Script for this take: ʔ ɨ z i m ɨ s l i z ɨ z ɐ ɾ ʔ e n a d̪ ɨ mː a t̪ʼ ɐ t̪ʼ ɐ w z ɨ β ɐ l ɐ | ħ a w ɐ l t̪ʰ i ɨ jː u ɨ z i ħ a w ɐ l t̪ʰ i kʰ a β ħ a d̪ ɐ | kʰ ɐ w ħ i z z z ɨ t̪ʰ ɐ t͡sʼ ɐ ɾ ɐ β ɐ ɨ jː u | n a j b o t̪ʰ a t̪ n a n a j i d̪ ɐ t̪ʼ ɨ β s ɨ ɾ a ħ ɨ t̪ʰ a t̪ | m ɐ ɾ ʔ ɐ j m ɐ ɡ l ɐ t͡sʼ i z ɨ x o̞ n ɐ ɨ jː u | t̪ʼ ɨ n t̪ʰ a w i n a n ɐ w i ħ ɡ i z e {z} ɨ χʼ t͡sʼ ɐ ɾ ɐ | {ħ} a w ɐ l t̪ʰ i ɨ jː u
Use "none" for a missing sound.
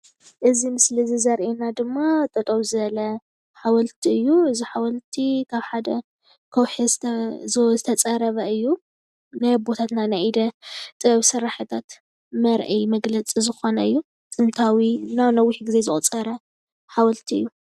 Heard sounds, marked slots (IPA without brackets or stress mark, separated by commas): z, ħ